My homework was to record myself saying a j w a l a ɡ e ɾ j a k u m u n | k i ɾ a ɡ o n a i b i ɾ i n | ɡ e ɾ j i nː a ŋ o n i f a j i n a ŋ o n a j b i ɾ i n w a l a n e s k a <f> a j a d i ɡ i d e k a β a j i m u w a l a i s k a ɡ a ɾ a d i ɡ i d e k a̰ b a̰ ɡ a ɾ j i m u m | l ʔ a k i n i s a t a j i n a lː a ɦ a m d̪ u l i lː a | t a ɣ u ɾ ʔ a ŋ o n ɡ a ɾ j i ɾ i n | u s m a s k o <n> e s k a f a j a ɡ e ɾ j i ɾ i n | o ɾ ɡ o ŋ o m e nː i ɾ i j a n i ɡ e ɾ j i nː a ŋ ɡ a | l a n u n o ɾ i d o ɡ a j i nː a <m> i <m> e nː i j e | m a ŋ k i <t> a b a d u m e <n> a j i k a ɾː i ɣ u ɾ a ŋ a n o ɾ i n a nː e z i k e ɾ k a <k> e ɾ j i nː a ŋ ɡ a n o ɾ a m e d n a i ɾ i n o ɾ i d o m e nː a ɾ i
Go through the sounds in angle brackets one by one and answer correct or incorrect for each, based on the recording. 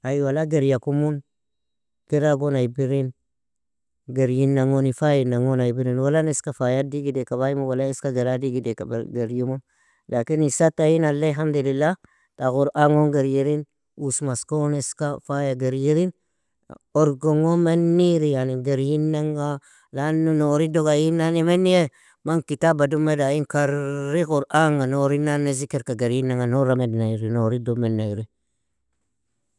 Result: correct, correct, incorrect: n, correct, correct, incorrect: d, incorrect: ɡ

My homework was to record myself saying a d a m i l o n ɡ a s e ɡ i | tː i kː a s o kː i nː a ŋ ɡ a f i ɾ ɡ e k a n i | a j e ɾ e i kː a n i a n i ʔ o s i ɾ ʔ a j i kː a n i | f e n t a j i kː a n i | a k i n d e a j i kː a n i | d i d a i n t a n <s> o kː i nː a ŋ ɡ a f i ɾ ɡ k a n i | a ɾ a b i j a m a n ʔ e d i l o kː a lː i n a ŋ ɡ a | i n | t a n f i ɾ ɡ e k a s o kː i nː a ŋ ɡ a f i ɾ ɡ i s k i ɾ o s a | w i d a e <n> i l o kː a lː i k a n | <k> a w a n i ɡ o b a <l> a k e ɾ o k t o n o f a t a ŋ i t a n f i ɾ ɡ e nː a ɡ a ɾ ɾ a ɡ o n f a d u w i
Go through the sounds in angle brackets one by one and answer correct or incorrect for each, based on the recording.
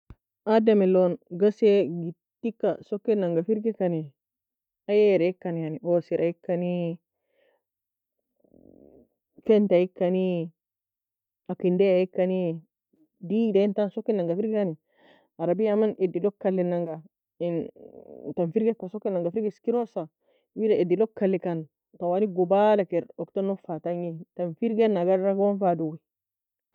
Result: correct, incorrect: d, incorrect: t, correct

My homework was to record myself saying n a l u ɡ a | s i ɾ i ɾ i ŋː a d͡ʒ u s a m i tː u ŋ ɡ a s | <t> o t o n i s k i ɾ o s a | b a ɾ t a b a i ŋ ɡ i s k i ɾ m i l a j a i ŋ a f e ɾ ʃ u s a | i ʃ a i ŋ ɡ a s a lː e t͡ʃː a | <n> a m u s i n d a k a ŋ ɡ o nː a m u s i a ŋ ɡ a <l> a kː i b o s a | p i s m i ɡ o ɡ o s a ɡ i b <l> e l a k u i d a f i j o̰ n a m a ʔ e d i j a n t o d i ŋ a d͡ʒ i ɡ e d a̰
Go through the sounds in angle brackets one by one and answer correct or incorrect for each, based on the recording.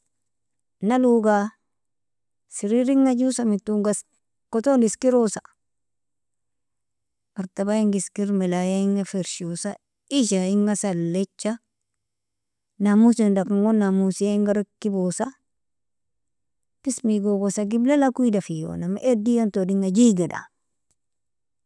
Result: incorrect: k, correct, incorrect: ɾ, correct

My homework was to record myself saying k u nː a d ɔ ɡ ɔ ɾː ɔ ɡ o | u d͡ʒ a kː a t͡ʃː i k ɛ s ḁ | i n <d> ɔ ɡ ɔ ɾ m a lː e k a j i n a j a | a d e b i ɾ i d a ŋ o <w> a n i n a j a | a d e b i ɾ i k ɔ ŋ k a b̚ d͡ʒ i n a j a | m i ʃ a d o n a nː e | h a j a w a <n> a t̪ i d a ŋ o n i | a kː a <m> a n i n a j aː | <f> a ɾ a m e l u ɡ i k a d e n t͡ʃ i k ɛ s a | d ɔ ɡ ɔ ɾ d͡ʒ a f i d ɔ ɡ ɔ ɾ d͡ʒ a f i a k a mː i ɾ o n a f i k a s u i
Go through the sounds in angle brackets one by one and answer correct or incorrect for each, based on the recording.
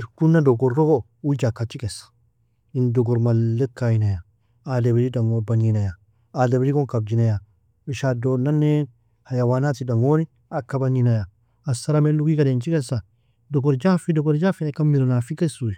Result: correct, incorrect: b, correct, incorrect: b, incorrect: s

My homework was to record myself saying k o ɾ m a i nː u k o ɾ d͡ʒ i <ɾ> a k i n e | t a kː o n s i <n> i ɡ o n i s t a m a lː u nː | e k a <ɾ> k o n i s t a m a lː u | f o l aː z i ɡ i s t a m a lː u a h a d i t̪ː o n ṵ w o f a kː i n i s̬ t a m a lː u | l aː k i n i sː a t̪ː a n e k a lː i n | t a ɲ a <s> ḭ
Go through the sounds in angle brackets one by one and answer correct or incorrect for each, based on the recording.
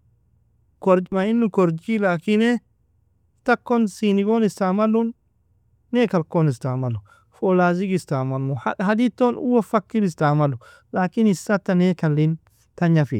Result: incorrect: l, correct, incorrect: l, incorrect: f

